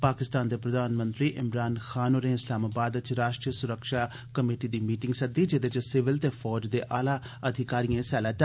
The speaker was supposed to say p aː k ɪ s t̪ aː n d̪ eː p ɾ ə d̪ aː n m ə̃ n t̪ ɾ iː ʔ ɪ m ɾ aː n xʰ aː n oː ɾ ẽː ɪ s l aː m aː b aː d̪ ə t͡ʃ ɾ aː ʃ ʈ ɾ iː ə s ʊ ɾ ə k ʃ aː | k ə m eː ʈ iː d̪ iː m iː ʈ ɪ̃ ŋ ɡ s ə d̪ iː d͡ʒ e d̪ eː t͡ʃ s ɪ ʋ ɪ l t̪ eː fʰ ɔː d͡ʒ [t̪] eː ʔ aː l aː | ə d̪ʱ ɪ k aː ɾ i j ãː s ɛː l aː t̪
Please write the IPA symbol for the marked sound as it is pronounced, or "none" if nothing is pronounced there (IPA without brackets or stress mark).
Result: d̪